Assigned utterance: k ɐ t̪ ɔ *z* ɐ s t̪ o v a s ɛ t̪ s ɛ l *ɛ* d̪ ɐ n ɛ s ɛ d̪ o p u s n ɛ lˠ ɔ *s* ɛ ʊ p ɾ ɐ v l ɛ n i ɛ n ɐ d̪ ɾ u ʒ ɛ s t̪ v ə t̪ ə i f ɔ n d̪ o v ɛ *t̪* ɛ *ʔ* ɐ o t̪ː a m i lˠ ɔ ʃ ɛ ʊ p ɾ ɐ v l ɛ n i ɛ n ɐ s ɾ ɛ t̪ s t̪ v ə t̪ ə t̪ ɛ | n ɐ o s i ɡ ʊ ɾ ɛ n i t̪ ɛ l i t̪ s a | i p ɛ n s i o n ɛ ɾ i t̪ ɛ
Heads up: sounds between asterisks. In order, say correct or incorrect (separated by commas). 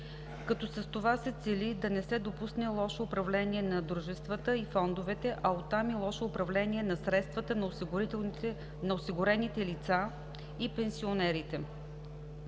incorrect, incorrect, incorrect, correct, correct